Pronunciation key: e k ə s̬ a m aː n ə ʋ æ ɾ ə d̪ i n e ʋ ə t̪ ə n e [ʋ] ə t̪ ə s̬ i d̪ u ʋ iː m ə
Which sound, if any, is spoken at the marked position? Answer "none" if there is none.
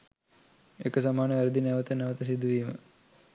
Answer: ʋ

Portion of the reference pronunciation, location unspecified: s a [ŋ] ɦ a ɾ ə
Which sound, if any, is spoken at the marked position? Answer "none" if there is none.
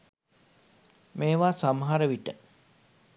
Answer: m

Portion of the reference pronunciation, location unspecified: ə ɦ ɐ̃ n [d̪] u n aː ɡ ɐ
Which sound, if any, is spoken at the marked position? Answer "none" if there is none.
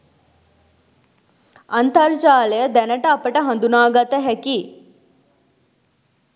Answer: d̪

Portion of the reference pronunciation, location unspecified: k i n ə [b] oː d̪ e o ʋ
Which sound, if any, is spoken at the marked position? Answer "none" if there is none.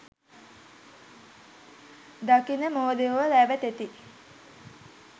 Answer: m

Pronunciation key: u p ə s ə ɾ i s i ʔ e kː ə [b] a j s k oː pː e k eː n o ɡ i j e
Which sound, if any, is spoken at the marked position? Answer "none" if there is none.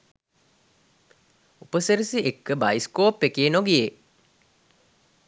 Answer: b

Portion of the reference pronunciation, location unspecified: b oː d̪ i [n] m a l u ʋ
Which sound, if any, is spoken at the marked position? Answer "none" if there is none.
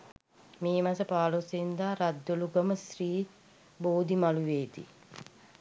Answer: none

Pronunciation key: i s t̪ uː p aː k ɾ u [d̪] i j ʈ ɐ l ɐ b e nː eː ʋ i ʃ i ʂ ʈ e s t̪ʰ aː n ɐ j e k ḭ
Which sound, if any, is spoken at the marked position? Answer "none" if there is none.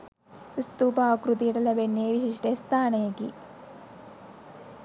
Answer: t̪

